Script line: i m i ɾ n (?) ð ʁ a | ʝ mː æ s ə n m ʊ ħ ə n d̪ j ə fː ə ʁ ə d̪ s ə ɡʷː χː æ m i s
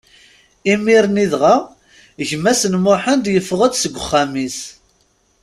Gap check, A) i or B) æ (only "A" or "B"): A